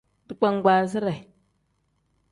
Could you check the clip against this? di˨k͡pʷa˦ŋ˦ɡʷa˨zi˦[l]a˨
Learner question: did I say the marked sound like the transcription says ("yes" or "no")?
no